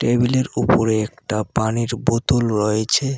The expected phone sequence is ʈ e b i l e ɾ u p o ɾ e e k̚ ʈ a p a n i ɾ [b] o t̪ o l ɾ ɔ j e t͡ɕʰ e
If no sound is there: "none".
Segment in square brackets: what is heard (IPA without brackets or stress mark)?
b